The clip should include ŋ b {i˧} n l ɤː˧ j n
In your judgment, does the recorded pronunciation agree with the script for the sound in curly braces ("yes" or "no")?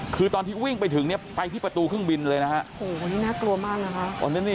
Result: yes